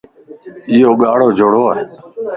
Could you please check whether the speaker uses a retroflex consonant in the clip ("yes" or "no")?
yes